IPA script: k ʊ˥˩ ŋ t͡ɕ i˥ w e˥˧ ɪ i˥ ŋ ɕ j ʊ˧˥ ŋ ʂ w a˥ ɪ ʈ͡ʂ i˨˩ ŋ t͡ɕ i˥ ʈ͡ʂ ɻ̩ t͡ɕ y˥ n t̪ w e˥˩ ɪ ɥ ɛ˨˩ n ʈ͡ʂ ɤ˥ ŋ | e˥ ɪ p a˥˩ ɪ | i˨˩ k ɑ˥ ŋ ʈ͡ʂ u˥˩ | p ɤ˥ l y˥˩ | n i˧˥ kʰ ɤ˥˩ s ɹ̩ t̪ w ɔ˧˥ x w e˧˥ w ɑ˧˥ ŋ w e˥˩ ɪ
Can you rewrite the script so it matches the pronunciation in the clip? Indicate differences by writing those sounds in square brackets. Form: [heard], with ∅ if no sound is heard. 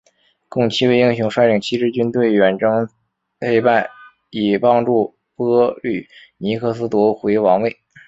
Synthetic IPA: k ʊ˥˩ ŋ [t͡ɕʰ] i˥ w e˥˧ ɪ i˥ ŋ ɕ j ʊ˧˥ ŋ ʂ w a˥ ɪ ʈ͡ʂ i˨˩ ŋ [t͡ɕʰ] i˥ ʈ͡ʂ ɻ̩ t͡ɕ y˥ n t̪ w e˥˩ ɪ ɥ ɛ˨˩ n ʈ͡ʂ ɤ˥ ŋ | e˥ ɪ p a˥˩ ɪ | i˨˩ [p] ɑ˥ ŋ ʈ͡ʂ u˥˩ | p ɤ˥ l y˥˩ | n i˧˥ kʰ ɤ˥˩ s ɹ̩ t̪ w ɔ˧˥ x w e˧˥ w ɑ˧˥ ŋ w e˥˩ ɪ